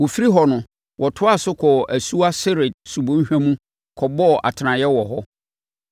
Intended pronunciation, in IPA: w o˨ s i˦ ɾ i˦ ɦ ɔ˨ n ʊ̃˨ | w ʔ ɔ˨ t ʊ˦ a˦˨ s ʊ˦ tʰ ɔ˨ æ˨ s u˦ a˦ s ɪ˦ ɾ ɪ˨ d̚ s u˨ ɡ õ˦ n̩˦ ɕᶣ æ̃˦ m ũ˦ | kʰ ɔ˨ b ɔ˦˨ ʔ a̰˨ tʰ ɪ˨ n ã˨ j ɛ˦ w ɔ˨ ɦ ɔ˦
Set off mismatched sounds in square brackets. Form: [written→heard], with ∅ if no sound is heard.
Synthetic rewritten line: w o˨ [s→f] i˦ ɾ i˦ ɦ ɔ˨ n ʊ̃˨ | w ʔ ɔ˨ [t→tʰ] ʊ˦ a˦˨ s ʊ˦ [tʰ→kʰ] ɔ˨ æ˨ s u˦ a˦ s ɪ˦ ɾ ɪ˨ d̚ s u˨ [ɡ→b] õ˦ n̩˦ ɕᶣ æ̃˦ m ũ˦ | kʰ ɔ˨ b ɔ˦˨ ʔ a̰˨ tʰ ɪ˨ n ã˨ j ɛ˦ w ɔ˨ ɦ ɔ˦